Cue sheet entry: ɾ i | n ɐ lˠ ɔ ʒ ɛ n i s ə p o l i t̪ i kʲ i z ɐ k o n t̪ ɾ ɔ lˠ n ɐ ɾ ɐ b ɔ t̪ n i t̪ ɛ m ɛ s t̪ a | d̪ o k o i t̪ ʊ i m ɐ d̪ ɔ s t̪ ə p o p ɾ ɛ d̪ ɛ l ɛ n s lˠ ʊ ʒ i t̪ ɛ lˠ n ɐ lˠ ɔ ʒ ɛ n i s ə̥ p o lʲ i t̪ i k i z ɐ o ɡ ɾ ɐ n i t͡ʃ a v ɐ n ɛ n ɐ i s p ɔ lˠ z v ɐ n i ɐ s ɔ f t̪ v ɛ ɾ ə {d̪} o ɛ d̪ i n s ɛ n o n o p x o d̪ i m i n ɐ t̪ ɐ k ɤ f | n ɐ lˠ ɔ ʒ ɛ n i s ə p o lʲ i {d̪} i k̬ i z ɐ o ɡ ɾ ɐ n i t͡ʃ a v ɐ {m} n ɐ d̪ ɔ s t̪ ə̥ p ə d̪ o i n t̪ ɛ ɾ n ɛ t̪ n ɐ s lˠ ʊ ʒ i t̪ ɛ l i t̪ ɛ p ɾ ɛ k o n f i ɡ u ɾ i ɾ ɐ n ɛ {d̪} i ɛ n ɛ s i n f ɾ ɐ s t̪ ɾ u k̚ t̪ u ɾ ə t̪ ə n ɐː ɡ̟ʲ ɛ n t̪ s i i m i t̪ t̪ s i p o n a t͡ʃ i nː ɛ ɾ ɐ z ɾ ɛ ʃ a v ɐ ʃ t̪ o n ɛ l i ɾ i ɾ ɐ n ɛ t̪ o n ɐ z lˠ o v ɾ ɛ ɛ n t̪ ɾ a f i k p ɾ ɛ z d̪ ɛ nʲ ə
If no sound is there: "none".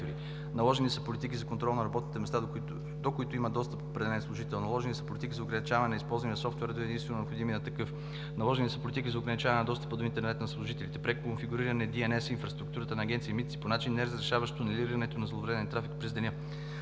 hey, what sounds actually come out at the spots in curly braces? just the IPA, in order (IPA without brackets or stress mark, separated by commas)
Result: d̪, t̪, n, d̪